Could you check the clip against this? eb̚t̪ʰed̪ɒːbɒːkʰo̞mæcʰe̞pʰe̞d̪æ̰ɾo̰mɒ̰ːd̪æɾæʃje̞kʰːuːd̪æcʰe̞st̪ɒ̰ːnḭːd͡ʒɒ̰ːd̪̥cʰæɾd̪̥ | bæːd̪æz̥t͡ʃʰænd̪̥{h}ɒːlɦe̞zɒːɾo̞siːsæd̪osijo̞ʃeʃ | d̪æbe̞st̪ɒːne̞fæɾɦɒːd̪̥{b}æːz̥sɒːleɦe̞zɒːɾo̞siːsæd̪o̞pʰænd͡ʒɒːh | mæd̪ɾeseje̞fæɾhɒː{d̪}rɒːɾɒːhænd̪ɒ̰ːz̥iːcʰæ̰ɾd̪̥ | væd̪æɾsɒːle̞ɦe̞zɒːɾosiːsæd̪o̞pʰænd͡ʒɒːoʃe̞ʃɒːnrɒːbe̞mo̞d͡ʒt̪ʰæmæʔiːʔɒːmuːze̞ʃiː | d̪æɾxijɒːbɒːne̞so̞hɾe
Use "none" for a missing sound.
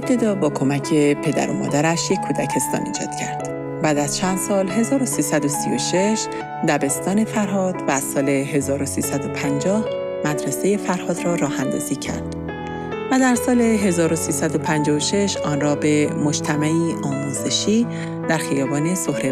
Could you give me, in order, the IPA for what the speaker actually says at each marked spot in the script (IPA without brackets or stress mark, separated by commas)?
s, v, d̪